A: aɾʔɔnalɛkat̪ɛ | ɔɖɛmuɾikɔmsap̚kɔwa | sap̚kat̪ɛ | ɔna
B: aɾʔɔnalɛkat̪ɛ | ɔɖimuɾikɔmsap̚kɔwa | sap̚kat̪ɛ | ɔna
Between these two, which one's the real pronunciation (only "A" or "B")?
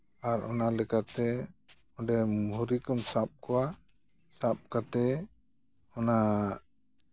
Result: A